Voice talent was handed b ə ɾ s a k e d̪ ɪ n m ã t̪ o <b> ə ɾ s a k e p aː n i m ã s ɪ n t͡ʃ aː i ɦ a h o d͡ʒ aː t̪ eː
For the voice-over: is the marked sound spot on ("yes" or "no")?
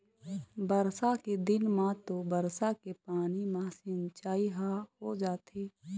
yes